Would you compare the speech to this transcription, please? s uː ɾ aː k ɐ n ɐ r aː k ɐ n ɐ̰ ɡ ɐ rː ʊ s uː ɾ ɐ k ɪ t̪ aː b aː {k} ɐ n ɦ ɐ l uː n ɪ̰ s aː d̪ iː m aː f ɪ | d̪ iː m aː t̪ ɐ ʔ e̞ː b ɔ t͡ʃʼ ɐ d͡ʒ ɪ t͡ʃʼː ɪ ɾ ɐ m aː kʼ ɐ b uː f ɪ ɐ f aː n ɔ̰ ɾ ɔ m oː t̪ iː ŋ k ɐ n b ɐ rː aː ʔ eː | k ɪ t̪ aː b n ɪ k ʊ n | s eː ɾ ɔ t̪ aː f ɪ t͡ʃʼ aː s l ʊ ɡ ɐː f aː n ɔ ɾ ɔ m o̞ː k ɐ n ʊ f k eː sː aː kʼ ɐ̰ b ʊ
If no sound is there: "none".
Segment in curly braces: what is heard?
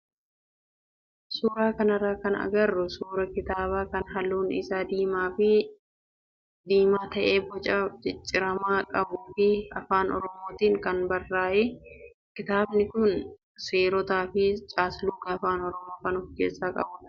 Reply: k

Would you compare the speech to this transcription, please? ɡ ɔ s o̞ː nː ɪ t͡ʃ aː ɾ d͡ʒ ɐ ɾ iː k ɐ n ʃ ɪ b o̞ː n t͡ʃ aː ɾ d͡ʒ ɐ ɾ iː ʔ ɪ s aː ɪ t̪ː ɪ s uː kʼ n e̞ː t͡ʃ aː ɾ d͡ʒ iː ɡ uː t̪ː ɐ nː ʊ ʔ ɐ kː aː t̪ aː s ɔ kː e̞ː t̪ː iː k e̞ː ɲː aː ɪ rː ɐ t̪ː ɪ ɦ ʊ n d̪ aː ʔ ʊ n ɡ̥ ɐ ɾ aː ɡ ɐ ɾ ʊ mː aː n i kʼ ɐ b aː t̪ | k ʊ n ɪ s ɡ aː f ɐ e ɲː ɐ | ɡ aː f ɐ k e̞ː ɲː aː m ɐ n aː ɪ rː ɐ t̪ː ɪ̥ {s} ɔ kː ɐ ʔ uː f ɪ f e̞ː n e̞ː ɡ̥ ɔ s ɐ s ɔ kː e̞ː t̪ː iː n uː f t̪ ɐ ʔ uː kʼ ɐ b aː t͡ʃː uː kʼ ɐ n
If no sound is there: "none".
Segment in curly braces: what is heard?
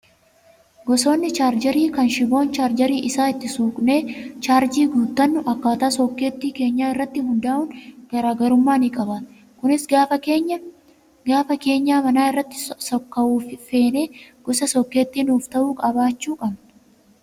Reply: s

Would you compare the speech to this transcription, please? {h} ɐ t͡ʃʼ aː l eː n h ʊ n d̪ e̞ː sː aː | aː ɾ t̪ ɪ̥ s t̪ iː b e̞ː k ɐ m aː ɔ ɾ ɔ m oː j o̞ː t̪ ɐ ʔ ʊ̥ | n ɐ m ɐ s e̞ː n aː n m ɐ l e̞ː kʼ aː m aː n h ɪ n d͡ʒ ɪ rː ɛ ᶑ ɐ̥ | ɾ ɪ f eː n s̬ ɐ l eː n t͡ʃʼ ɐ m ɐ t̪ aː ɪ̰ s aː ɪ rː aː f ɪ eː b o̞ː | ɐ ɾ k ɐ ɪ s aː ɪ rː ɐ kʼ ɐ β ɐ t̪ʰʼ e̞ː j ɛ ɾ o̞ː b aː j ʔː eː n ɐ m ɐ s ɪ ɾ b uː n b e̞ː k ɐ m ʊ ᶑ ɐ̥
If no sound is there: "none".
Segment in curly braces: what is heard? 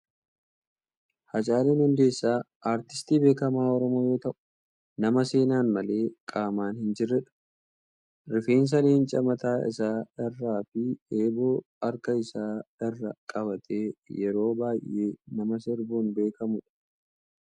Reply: h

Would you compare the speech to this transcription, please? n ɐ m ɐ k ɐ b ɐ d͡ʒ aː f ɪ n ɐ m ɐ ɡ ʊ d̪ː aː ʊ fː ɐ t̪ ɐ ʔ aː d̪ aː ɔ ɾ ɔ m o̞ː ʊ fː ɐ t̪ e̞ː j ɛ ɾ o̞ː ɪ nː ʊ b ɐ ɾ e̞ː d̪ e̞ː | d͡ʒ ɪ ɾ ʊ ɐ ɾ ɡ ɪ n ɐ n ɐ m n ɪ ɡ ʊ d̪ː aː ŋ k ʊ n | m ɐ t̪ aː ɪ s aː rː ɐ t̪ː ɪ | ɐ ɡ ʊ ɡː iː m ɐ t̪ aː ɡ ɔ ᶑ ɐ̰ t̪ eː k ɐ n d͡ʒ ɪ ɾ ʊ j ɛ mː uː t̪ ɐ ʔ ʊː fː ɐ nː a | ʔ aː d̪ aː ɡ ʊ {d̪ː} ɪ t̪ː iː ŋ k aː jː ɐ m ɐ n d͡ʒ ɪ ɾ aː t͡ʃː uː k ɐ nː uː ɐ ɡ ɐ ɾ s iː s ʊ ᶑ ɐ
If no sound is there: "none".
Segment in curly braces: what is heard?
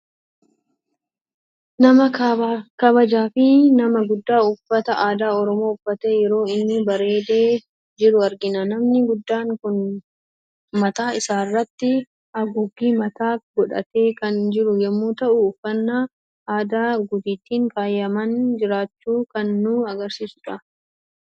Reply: d̪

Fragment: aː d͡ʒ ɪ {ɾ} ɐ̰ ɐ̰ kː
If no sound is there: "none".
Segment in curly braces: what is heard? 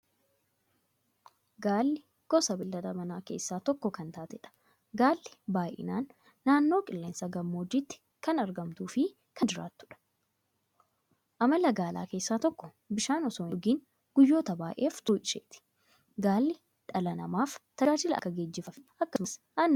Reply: l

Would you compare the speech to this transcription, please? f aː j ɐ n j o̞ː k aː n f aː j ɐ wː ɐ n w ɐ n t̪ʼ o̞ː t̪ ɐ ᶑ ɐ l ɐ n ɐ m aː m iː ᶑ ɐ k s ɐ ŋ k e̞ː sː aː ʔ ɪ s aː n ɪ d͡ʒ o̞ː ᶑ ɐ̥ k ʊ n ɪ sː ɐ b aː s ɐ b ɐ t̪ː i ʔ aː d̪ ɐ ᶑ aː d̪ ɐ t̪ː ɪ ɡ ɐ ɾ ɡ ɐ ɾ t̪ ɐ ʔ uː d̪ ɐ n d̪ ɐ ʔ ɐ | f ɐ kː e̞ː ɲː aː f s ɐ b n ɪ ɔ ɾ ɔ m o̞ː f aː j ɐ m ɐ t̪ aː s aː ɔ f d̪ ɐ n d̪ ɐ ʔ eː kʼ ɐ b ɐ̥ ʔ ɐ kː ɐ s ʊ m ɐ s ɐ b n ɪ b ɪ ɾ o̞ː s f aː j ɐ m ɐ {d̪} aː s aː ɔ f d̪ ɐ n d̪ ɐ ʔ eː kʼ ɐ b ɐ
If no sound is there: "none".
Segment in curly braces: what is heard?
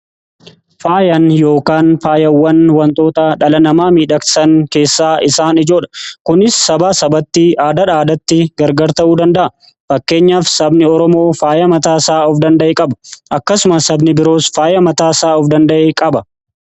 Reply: t̪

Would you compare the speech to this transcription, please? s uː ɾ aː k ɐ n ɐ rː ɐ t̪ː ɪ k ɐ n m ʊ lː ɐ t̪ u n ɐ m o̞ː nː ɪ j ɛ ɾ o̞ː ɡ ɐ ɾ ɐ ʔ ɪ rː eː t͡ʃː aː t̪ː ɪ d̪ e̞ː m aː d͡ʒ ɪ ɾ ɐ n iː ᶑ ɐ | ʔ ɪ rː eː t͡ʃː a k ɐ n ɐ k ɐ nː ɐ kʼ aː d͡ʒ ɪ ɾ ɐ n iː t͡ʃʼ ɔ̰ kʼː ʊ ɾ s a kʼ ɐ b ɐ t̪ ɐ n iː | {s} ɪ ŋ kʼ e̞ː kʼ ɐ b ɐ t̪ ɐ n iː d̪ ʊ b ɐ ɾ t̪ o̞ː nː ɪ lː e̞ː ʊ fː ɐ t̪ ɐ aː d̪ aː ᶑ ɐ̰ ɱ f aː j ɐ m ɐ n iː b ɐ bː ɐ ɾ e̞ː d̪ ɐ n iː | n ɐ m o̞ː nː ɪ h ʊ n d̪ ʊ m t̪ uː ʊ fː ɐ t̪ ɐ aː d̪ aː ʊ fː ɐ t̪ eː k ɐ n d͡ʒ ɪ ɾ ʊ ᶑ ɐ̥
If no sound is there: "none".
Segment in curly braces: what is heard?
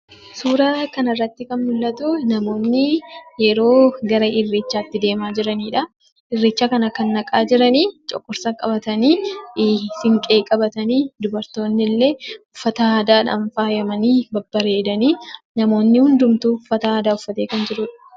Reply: s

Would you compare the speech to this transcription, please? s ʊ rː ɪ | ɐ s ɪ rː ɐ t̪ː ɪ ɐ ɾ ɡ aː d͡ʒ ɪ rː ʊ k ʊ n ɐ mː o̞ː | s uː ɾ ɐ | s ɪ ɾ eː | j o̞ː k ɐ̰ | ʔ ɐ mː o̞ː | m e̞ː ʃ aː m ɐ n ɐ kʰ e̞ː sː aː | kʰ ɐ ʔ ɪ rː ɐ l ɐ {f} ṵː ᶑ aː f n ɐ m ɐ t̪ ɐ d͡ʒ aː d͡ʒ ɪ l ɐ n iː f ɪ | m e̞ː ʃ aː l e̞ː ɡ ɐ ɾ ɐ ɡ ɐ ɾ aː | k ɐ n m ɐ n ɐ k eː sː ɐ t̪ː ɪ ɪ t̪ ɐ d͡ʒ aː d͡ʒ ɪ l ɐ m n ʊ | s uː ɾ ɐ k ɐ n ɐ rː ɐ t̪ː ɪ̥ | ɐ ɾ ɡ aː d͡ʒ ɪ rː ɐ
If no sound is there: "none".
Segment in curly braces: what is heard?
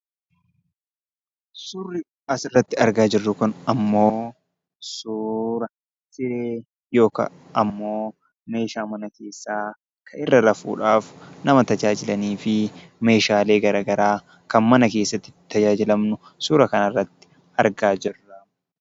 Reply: f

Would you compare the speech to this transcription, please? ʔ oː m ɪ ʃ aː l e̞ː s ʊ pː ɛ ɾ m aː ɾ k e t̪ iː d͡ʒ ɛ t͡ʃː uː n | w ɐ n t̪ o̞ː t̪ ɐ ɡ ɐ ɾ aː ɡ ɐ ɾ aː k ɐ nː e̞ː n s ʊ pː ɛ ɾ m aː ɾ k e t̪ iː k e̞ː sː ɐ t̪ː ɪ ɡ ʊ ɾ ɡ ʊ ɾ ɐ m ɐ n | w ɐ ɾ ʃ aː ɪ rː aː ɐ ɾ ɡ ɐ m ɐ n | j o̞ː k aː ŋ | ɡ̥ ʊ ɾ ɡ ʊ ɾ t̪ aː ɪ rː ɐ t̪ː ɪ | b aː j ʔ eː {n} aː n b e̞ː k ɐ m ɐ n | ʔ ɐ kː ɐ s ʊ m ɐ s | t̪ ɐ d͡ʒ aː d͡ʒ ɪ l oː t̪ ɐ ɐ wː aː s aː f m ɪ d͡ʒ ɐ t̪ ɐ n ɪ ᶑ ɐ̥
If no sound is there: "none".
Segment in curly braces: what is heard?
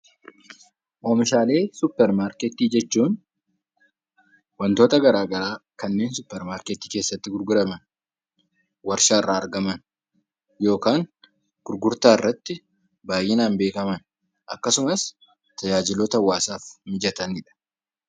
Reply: n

